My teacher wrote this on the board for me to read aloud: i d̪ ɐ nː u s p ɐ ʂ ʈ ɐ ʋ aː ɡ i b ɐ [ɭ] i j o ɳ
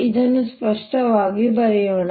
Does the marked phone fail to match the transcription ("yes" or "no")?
yes